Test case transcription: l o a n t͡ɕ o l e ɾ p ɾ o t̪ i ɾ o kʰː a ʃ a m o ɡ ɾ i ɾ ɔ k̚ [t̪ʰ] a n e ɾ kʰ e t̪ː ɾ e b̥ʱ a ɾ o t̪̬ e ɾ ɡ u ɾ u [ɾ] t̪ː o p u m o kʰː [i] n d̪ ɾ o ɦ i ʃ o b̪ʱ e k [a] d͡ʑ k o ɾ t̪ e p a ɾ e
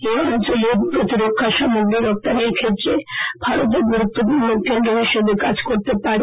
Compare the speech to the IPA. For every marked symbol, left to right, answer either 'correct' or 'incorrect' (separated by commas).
incorrect, incorrect, incorrect, correct